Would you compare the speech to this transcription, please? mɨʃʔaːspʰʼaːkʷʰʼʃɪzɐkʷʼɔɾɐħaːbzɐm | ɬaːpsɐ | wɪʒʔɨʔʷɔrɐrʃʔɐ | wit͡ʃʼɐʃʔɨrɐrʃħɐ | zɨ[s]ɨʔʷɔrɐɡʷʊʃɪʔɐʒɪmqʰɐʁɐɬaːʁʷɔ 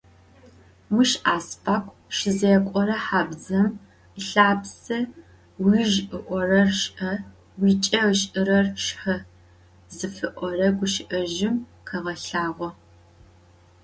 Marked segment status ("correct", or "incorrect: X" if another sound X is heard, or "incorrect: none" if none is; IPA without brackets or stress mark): incorrect: f